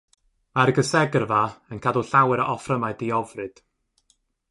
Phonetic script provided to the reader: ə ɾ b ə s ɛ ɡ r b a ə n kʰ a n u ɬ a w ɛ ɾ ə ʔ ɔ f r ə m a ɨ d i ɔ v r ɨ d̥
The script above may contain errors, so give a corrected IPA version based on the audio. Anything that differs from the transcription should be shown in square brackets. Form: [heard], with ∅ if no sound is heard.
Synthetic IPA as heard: [a] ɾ [ɡ] ə s ɛ ɡ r [v] a ə n kʰ a [d] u ɬ a w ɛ ɾ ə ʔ ɔ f r ə m a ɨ d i ɔ v r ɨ d̥